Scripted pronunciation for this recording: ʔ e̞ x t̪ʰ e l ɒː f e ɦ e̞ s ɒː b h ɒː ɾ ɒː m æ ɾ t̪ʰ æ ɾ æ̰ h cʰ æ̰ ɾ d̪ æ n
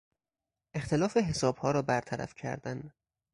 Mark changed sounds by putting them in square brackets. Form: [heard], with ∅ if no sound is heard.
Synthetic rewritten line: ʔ e̞ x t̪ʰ e l ɒː f e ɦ e̞ s ɒː b h ɒː ɾ ɒː [b] æ ɾ t̪ʰ æ ɾ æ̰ [f] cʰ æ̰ ɾ d̪ æ n